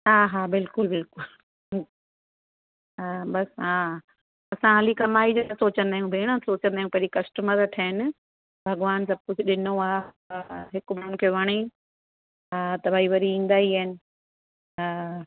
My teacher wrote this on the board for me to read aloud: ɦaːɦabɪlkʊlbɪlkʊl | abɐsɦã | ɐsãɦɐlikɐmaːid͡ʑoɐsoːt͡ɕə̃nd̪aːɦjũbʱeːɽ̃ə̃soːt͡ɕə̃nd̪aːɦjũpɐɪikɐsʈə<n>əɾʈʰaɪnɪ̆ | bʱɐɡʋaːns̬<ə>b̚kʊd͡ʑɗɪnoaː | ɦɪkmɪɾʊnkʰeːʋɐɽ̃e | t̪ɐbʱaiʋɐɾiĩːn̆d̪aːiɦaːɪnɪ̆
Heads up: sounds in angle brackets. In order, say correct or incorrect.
incorrect, incorrect

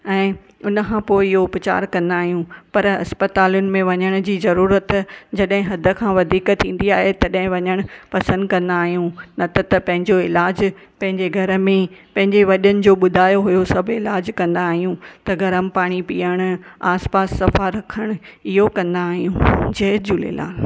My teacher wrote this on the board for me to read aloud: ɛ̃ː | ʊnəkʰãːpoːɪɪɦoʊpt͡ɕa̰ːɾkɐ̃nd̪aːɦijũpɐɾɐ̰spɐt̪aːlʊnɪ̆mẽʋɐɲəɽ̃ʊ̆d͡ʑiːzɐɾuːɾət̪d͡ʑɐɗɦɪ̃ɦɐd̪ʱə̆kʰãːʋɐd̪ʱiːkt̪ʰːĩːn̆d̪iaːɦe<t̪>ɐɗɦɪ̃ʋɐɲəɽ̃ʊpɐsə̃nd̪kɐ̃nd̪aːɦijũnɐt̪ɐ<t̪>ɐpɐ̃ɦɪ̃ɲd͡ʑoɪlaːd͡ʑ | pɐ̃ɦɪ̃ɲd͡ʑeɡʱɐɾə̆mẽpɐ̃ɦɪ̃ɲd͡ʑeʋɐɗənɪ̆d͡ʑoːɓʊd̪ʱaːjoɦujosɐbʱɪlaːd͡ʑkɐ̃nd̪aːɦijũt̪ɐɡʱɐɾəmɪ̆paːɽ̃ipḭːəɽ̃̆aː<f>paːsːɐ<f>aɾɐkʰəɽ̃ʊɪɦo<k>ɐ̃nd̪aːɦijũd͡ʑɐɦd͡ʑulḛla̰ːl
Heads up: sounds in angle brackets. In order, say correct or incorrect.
correct, correct, incorrect, correct, correct

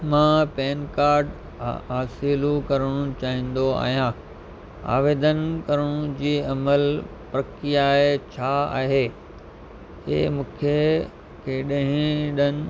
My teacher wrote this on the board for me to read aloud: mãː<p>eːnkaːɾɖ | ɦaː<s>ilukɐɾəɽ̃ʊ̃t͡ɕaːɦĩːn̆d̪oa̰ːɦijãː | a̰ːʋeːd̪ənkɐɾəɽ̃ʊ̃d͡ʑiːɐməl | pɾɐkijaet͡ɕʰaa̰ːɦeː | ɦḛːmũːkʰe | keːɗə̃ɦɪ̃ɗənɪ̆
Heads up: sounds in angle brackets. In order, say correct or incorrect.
correct, correct

